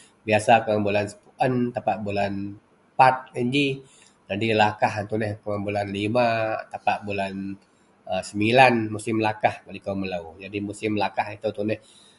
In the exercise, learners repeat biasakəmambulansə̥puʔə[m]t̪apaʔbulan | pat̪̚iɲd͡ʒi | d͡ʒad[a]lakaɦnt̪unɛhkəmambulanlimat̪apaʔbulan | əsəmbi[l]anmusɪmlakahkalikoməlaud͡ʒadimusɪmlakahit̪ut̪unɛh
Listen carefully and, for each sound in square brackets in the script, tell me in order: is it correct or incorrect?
incorrect, incorrect, correct

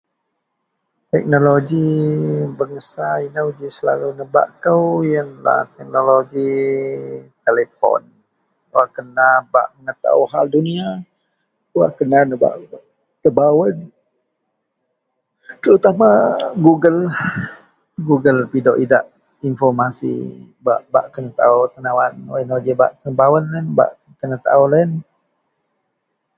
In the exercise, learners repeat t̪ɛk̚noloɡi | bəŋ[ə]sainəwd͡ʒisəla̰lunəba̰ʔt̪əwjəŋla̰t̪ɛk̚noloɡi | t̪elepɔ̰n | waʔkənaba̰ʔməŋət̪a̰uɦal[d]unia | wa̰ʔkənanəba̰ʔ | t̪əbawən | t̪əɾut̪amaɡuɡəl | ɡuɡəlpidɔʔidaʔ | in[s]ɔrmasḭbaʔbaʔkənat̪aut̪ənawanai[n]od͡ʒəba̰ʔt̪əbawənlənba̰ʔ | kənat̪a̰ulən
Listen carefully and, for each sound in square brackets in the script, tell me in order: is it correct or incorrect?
correct, correct, incorrect, correct

